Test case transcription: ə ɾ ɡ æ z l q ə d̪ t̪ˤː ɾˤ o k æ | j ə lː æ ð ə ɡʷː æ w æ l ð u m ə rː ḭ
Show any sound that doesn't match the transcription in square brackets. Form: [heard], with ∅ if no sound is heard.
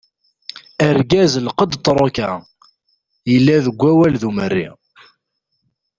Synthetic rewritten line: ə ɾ ɡ æ z l q ə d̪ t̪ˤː ɾˤ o k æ | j ə lː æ ð ə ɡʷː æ w æ l ð u m ə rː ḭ